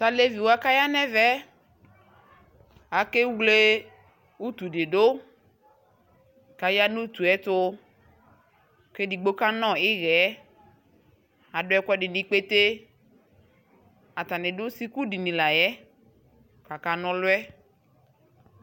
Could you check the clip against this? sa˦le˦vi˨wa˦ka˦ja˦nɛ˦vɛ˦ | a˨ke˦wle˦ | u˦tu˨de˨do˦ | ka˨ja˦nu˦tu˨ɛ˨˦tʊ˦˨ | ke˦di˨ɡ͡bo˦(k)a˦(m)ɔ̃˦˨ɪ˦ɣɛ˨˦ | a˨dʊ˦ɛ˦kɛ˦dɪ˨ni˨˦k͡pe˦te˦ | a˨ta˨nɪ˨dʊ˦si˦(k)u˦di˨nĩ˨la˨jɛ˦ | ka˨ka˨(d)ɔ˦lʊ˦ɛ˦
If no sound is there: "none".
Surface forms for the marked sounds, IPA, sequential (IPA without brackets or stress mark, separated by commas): k, n, k, n